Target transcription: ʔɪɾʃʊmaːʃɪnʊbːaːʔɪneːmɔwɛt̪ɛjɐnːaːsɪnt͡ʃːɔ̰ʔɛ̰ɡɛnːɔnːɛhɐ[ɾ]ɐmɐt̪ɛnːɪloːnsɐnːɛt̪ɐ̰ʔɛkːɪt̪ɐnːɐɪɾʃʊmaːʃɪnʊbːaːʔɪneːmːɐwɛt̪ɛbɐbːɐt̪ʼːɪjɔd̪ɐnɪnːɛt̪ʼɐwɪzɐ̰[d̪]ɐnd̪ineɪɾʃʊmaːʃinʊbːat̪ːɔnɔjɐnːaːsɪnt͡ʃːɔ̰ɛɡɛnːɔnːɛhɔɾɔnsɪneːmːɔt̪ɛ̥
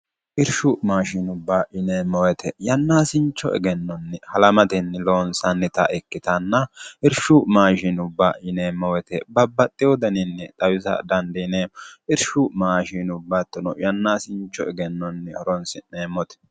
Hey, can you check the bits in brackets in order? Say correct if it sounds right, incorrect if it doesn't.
incorrect: l, correct

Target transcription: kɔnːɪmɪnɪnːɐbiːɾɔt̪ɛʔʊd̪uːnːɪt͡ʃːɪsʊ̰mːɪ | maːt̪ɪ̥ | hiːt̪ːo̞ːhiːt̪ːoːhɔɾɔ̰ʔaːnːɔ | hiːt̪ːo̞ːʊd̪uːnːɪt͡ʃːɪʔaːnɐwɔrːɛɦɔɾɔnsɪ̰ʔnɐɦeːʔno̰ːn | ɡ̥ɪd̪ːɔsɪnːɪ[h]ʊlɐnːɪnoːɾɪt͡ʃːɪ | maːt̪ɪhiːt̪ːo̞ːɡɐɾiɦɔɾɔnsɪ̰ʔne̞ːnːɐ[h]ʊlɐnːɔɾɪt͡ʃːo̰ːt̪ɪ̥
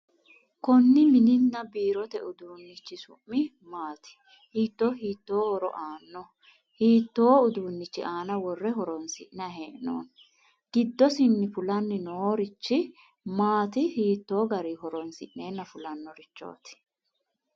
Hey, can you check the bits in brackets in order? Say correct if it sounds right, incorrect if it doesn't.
incorrect: f, incorrect: f

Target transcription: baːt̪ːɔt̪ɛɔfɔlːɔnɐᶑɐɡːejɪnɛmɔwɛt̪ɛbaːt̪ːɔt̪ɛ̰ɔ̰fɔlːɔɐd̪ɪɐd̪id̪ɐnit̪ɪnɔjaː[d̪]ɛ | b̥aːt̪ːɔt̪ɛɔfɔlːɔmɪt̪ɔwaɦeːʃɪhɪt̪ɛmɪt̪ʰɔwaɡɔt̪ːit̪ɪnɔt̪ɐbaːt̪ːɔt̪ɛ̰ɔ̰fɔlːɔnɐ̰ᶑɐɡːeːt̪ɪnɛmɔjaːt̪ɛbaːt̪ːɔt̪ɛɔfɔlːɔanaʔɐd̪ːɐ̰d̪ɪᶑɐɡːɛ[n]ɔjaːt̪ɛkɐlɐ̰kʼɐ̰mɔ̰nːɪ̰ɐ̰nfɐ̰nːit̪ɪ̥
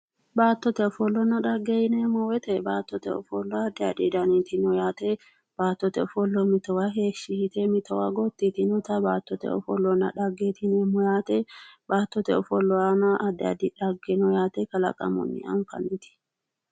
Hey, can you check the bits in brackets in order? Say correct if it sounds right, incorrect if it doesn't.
incorrect: t̪, correct

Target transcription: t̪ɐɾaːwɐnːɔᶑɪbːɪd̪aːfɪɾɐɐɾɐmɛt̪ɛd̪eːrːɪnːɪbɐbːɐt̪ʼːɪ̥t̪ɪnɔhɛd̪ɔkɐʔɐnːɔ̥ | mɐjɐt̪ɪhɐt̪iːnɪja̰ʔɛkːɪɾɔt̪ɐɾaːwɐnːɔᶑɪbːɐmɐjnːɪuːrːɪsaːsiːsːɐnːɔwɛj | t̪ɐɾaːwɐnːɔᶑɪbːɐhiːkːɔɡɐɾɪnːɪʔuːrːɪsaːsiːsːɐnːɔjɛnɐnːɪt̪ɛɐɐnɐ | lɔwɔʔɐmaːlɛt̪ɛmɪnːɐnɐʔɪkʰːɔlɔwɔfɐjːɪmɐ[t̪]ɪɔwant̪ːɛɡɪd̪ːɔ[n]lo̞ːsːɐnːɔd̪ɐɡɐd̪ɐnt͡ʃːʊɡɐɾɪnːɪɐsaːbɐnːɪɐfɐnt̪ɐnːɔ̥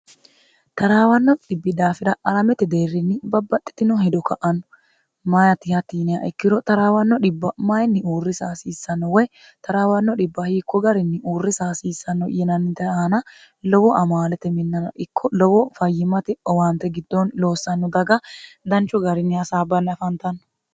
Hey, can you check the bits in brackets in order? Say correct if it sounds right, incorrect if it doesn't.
correct, correct

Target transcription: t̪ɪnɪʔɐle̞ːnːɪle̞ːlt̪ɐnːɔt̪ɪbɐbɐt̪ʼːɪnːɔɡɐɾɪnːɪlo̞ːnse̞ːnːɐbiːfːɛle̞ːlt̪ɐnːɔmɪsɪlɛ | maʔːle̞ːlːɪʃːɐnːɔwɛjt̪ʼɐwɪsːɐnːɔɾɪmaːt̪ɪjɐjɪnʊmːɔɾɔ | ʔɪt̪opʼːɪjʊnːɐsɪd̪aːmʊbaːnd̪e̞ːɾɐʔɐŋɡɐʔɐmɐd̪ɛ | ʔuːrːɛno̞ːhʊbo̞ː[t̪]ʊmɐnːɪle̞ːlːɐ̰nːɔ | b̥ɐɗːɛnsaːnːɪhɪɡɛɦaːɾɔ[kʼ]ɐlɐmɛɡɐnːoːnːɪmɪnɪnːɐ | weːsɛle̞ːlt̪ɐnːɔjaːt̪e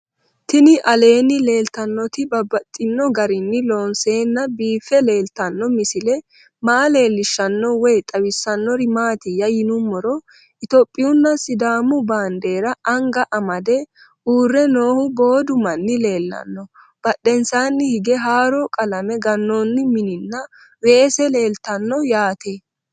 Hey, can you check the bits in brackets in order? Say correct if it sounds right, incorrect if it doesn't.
incorrect: d̪, correct

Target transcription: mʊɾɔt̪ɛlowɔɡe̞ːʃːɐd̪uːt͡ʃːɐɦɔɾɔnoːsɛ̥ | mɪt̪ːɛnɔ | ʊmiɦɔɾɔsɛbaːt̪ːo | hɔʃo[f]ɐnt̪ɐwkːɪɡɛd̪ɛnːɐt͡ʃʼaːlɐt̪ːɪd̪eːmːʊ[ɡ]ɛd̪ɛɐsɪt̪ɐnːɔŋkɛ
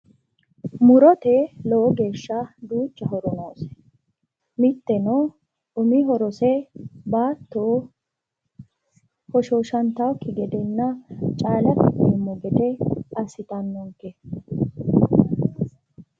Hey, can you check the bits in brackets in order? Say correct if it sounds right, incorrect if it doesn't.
incorrect: ʃ, correct

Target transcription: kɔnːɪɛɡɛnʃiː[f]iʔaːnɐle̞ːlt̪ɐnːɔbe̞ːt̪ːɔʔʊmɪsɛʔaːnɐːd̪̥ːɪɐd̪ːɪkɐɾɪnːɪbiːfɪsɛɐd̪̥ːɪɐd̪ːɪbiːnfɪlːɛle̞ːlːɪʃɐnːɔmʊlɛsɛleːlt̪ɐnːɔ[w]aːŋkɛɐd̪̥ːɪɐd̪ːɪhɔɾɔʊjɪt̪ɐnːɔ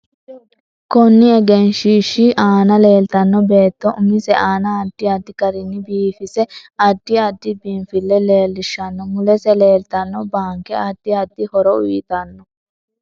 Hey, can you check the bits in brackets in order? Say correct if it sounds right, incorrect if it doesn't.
incorrect: ʃ, incorrect: b

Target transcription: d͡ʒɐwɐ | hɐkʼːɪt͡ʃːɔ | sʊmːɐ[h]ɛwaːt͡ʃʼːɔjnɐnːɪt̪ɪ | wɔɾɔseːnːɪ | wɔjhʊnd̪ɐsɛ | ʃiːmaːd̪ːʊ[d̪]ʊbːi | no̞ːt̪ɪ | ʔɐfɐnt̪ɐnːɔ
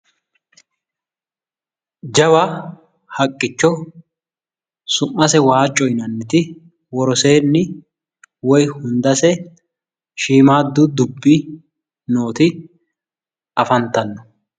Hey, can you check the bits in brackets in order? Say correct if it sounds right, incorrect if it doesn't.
incorrect: s, correct

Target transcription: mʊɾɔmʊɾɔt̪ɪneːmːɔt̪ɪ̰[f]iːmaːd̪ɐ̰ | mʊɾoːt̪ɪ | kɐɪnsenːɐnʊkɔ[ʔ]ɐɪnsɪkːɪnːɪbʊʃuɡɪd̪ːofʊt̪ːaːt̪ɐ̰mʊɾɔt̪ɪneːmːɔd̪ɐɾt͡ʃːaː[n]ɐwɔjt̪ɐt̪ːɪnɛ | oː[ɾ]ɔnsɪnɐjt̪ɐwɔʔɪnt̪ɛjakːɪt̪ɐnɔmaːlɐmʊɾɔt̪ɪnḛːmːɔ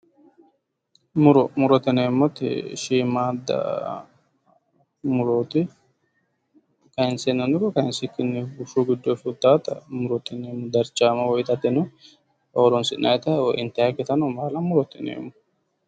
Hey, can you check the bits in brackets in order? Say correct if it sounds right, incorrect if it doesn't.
incorrect: ʃ, incorrect: k, incorrect: m, correct

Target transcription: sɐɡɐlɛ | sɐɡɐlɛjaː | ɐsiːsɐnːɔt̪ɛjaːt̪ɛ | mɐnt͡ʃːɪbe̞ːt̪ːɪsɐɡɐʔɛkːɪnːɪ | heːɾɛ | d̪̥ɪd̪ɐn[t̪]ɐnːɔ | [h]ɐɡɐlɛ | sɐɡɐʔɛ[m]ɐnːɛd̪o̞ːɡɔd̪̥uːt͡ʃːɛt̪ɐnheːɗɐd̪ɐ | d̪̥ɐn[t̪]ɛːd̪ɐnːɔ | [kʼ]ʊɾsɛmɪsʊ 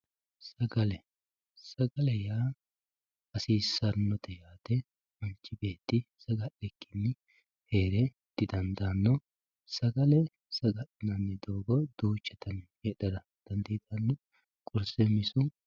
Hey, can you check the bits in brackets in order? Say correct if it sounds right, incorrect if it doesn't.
incorrect: d̪, incorrect: s, incorrect: n, incorrect: d̪, correct

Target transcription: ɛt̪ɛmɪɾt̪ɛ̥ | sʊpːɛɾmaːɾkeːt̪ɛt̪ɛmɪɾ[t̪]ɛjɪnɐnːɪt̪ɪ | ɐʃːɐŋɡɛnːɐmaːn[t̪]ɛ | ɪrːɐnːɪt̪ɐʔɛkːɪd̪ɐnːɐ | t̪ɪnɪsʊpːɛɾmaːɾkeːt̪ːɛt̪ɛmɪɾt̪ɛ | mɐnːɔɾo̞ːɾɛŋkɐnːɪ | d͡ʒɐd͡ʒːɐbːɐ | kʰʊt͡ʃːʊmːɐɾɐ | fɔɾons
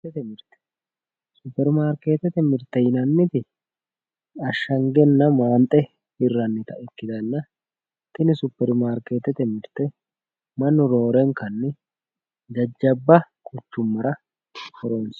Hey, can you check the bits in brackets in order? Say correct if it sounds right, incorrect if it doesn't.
correct, incorrect: t̪ʼ

